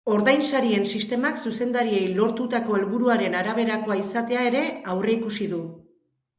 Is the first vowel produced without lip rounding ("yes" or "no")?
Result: no